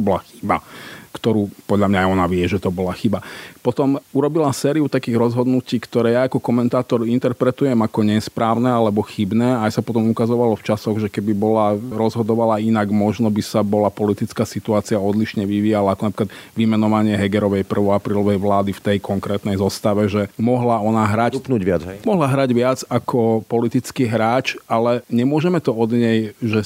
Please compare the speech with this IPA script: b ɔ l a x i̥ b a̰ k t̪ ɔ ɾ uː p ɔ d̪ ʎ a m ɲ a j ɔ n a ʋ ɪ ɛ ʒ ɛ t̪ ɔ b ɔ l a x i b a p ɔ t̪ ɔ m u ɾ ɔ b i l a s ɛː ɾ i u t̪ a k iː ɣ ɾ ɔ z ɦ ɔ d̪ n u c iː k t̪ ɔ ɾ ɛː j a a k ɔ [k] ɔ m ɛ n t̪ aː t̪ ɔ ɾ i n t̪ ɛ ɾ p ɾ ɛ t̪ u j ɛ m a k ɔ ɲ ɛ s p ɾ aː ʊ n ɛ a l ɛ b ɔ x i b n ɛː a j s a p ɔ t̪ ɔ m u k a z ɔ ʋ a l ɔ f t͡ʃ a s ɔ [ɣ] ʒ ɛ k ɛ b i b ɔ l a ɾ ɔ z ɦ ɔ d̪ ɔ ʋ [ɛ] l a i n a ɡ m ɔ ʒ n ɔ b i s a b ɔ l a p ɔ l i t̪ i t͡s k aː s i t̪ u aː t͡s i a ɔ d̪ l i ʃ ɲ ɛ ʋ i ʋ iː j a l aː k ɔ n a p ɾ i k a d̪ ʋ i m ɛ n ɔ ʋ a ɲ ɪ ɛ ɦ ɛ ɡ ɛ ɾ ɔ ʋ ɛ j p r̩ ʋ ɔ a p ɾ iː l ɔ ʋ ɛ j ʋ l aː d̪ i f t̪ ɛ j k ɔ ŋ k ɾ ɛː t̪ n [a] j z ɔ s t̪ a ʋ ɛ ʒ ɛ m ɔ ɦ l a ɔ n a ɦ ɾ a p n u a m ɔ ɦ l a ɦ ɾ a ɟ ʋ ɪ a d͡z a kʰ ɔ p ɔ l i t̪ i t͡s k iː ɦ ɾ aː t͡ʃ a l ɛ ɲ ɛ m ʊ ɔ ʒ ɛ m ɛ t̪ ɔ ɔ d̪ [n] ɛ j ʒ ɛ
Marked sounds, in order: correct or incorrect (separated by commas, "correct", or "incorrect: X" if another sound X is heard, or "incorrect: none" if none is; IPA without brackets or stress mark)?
correct, correct, incorrect: a, incorrect: ɛ, incorrect: ɲ